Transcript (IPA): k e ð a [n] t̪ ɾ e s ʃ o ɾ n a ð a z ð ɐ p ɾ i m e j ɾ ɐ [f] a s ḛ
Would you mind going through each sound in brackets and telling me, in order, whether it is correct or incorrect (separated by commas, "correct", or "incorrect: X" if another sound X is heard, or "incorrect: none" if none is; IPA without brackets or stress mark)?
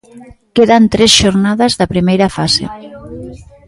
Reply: correct, correct